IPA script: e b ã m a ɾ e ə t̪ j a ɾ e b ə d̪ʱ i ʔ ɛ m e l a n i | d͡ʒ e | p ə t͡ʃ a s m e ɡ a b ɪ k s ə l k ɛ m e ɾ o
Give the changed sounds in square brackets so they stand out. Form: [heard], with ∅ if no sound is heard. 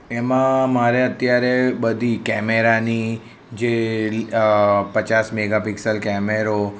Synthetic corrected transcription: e [m] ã m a ɾ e ə t̪ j a ɾ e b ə d̪ʱ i [k] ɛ m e [ɾ] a n i | d͡ʒ e | p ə t͡ʃ a s m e ɡ a [p] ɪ k s ə l k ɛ m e ɾ o